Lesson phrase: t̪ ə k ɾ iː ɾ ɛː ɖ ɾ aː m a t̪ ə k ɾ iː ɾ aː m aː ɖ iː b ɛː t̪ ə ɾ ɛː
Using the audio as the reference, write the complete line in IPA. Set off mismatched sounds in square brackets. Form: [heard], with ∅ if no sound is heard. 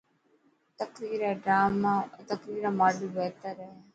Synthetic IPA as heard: t̪ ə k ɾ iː ɾ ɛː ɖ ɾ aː m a t̪ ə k ɾ iː ɾ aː m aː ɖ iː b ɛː t̪ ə ɾ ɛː